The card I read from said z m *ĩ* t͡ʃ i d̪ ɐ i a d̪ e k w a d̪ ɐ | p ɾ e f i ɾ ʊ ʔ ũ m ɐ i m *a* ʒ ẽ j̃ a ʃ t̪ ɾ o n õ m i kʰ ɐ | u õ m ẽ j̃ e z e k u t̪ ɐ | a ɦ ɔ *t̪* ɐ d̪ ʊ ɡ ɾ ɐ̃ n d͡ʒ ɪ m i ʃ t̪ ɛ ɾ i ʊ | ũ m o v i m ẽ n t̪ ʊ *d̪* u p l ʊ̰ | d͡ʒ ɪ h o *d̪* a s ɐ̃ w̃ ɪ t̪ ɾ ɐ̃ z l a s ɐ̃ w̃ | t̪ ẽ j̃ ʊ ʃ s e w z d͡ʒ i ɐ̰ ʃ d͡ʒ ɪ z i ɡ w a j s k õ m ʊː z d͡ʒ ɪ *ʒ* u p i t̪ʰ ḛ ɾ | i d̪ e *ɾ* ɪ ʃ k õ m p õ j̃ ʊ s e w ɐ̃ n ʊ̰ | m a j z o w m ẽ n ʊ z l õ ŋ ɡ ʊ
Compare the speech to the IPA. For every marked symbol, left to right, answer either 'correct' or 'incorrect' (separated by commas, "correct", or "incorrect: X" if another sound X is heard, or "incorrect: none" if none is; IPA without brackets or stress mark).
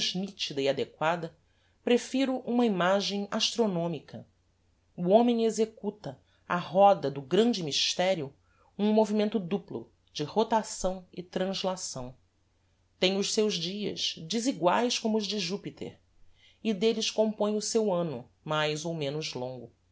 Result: incorrect: i, correct, incorrect: d̪, correct, incorrect: t̪, correct, incorrect: l